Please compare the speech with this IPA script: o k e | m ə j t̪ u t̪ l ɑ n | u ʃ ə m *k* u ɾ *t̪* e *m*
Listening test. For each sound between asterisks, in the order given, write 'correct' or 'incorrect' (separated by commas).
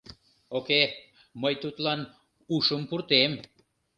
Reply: incorrect, correct, correct